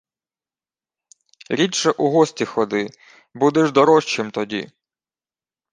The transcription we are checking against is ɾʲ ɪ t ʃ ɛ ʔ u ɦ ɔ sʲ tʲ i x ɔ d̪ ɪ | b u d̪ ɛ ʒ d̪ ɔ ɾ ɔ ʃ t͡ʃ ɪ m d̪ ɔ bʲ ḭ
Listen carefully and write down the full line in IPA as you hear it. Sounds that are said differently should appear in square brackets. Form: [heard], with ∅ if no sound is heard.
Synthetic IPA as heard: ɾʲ [i] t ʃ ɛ ʔ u ɦ ɔ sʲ tʲ i x ɔ d̪ ɪ | b u d̪ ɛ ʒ d̪ ɔ ɾ ɔ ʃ t͡ʃ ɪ m [t̪] ɔ [dʲ] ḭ